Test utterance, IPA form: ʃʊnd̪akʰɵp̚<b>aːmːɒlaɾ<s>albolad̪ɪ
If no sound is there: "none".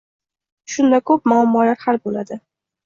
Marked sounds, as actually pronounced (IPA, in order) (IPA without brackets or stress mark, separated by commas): m, h